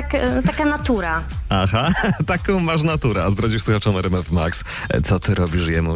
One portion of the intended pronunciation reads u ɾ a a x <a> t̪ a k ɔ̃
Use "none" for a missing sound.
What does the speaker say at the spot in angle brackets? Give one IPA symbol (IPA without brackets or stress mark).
a